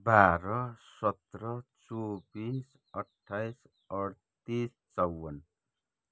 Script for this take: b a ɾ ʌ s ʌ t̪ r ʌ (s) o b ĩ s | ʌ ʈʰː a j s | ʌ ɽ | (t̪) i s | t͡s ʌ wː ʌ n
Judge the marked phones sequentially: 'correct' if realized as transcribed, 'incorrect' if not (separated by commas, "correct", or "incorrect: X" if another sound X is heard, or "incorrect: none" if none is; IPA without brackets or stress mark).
incorrect: t͡s, correct